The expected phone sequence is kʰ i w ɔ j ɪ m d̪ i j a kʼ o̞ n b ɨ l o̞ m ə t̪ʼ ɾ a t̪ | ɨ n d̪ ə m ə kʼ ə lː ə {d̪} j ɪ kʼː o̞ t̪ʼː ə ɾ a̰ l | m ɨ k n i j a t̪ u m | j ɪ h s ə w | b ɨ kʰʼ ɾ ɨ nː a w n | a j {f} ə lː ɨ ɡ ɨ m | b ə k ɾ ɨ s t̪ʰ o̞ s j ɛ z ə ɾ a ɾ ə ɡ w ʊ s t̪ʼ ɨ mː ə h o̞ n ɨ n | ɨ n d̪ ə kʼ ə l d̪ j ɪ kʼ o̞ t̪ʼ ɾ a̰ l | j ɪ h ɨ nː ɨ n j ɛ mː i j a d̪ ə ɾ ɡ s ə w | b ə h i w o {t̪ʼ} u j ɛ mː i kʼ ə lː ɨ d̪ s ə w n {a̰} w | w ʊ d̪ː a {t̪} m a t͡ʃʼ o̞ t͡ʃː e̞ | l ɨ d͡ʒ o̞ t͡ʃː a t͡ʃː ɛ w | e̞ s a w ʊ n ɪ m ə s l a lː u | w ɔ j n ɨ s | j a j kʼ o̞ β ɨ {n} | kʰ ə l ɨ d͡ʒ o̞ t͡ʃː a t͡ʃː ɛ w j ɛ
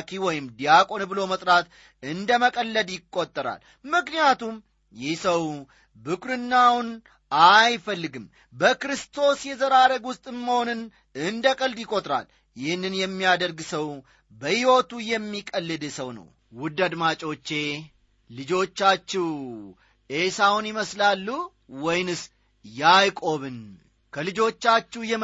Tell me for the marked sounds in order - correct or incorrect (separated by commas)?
correct, correct, incorrect, incorrect, incorrect, correct